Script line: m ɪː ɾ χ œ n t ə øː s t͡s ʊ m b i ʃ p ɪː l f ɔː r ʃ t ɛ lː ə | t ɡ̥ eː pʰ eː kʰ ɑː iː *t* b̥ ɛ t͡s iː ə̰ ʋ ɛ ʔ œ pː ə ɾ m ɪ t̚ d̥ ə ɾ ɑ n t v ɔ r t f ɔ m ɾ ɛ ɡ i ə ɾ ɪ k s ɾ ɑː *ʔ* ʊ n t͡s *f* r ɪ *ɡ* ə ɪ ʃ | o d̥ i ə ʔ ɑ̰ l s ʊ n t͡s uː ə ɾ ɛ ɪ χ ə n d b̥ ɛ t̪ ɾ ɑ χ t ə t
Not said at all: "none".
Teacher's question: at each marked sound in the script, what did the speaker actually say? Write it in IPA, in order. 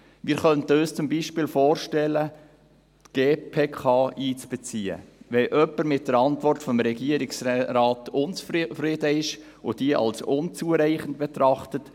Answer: t͡s, t, f, d

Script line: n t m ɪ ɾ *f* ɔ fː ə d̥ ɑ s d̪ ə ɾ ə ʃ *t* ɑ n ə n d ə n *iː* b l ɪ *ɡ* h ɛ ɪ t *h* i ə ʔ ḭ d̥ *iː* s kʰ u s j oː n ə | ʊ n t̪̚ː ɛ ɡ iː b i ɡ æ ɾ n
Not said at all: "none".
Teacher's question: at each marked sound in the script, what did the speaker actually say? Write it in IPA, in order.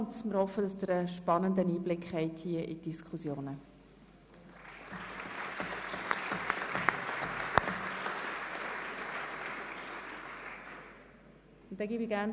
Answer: h, p, iː, k, h, i

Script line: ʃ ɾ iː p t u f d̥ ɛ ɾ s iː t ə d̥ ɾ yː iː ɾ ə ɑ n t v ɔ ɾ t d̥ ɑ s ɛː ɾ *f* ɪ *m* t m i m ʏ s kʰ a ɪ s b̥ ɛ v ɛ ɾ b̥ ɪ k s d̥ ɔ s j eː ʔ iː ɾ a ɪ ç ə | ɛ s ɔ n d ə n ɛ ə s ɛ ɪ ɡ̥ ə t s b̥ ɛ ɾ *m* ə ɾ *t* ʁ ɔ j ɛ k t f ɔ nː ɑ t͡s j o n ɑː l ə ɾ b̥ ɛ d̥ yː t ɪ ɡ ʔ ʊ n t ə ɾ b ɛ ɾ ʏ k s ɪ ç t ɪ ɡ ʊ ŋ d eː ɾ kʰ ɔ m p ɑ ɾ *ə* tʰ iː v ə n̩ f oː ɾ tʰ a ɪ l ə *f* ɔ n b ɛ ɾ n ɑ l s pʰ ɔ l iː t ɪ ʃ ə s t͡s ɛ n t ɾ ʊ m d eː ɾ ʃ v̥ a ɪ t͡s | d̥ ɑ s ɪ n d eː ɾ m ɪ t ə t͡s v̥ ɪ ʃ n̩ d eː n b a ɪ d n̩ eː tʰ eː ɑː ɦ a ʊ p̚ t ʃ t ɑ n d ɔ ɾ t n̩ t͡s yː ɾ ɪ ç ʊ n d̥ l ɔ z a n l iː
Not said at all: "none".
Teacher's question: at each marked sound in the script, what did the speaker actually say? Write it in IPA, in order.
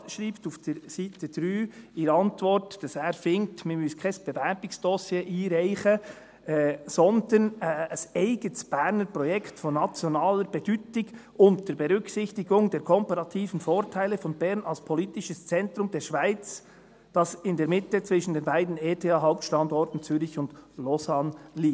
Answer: f, ŋ, n, p, ɑ, f

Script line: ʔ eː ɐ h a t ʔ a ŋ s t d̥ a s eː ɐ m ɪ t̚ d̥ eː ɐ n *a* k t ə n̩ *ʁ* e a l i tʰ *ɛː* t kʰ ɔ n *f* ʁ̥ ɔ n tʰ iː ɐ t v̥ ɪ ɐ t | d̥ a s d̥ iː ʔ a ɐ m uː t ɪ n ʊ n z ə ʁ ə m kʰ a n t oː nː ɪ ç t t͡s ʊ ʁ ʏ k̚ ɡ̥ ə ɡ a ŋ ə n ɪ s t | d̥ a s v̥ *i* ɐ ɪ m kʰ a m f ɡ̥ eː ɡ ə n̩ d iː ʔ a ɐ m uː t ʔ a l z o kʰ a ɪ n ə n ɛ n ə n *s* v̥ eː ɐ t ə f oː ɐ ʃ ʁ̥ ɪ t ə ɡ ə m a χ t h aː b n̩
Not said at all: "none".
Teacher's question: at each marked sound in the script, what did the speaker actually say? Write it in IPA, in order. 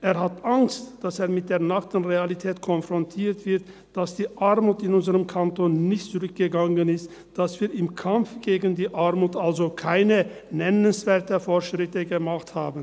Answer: a, ʁ, ɛː, f, iː, s

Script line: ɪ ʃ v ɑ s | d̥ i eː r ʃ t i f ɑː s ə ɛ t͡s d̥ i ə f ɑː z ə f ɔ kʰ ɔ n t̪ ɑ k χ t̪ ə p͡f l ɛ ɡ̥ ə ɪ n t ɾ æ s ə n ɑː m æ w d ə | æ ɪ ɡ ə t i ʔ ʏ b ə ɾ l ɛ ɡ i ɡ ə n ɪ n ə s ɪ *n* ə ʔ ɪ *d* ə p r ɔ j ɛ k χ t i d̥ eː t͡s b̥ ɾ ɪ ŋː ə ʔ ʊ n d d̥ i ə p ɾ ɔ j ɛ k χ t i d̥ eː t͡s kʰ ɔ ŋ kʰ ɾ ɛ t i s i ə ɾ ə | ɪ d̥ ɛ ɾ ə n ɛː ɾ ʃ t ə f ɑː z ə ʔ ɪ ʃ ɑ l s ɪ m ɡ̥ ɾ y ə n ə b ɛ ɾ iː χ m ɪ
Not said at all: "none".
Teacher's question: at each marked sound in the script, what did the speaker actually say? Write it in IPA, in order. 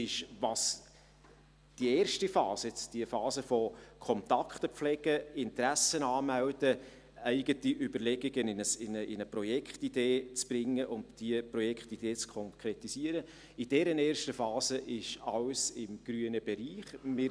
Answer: n, n

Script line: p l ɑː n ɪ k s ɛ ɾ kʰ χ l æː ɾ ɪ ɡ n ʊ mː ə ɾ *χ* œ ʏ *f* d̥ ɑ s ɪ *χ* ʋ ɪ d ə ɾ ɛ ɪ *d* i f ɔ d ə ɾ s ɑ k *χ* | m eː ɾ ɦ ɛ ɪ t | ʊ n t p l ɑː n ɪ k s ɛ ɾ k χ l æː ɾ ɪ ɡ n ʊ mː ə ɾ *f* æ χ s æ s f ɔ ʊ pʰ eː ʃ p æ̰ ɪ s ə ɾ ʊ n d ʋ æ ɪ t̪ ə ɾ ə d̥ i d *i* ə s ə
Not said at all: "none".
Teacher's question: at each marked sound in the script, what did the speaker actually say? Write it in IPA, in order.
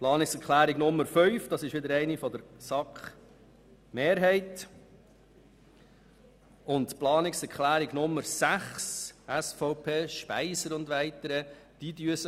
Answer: f, f, ʃ, n, χ, s, y

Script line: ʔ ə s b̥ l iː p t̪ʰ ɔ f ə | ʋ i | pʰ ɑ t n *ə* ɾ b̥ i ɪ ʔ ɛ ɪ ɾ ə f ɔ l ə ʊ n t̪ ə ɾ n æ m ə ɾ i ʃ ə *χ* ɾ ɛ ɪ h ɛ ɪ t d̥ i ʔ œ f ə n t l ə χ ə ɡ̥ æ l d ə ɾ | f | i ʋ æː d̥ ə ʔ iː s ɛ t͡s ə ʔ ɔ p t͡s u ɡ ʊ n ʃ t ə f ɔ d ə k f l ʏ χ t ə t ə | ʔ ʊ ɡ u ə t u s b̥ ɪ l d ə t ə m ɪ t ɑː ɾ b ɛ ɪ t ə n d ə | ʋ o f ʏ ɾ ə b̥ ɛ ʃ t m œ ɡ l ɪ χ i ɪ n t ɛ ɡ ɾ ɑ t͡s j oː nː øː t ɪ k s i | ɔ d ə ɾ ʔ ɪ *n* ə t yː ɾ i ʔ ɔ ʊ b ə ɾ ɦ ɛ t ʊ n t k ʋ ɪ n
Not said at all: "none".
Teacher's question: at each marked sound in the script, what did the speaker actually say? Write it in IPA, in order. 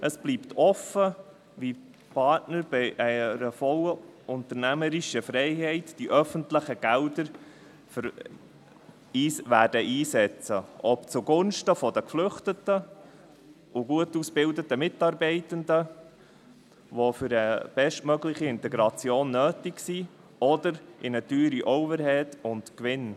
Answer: ə, f, n

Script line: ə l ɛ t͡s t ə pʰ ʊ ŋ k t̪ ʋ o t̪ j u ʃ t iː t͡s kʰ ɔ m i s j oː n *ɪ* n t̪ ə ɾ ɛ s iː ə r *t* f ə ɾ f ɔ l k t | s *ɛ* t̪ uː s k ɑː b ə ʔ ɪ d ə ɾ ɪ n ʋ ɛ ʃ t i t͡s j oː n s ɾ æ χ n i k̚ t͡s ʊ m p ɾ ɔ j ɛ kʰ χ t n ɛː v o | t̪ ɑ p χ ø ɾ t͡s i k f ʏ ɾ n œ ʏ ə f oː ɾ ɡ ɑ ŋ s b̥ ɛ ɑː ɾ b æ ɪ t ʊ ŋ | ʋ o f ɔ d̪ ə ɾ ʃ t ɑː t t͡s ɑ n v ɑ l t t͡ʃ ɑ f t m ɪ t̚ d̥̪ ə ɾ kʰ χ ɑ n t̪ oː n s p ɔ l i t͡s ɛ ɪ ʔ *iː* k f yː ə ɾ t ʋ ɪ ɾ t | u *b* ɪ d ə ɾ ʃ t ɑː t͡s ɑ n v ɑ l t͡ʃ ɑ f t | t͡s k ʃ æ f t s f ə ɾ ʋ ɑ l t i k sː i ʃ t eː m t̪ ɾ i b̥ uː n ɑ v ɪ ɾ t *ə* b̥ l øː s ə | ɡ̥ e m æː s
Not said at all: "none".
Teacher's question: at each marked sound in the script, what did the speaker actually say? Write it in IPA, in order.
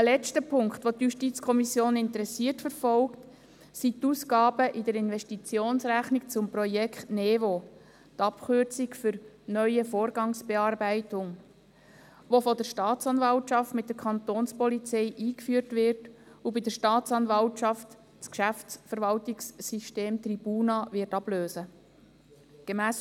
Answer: ɪ, t, i, iː, b, ɑ

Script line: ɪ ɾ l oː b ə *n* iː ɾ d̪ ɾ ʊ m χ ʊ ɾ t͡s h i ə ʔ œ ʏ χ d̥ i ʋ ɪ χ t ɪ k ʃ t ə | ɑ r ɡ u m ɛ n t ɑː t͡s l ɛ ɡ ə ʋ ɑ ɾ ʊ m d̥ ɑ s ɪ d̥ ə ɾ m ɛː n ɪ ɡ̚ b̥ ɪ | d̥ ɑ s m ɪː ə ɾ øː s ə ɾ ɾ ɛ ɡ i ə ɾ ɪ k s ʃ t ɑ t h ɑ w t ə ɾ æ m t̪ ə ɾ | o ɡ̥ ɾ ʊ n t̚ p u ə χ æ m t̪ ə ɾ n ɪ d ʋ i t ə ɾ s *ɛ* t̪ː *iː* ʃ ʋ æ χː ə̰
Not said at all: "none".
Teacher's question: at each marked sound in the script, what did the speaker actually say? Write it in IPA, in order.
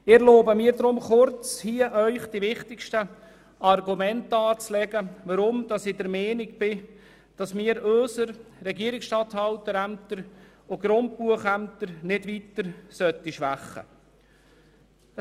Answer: m, œ, i

